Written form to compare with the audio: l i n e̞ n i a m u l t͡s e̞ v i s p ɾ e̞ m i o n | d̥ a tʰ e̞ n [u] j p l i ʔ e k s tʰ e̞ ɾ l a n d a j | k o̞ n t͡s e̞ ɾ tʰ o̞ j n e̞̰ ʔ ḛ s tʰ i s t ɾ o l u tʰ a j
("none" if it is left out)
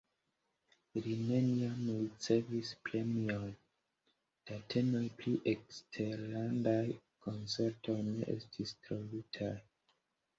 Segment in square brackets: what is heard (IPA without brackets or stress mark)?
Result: o